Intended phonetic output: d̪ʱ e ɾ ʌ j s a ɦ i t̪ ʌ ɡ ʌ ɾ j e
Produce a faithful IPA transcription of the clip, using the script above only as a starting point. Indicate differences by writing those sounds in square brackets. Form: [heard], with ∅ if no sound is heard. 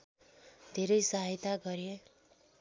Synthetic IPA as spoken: d̪ʱ e ɾ ʌ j s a ɦ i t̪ [a] ɡ ʌ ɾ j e

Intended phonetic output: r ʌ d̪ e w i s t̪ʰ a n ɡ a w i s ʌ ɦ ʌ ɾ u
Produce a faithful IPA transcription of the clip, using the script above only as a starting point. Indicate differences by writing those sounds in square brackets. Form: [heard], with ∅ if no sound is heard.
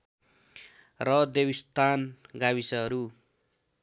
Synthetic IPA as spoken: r ʌ d̪ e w i s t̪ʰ a n ɡ a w i s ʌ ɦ ʌ ɾ u

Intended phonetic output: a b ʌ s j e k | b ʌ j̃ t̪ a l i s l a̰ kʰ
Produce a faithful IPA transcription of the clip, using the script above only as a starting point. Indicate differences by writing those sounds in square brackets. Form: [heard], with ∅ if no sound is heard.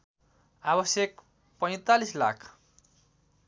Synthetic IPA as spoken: a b ʌ s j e k | [p] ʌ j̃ t̪ a l i s l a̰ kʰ

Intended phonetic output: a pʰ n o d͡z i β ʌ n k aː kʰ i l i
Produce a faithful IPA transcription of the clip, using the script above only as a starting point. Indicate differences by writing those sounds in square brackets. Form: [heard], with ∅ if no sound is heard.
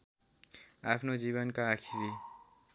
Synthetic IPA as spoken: a pʰ n o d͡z i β ʌ n k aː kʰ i [ɾ] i

